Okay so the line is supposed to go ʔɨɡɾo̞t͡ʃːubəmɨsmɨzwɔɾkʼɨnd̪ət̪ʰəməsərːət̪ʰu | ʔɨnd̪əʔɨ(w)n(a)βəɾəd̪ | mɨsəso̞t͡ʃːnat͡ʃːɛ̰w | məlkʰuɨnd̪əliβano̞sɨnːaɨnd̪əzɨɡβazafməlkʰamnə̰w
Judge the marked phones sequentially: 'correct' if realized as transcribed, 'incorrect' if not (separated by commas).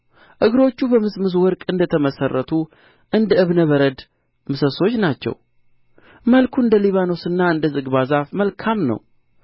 incorrect, incorrect